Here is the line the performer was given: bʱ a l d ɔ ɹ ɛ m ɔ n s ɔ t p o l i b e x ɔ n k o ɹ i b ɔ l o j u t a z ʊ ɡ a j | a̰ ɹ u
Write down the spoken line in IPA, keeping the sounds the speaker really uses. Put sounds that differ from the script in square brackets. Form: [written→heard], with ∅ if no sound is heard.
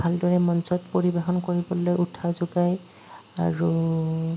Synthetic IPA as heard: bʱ a l d ɔ ɹ ɛ m ɔ n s ɔ t p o [l→ɹ] i b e x ɔ n k o ɹ i b ɔ l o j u [t→tʰ] a z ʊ ɡ a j | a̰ ɹ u